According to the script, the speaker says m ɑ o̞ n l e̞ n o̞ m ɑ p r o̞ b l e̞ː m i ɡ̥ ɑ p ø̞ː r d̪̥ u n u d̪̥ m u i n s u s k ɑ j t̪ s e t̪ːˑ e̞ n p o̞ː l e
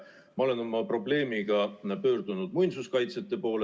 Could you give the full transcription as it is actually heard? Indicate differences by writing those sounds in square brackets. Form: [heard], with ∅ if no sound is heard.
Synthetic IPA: m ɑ o̞ [∅] l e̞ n o̞ m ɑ p r o̞ b l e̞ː m i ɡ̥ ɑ p ø̞ː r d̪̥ u n u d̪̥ m u [j] n s u s k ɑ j t̪ s e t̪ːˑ e̞ [∅] p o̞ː l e